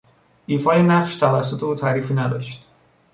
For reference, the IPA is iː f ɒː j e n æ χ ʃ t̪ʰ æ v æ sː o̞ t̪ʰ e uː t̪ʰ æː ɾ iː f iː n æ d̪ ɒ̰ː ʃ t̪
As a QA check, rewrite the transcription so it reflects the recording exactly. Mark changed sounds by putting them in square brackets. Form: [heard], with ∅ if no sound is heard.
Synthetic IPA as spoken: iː f ɒː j e n æ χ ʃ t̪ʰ æ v æ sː o̞ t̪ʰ e uː t̪ʰ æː ɾ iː f iː n æ d̪ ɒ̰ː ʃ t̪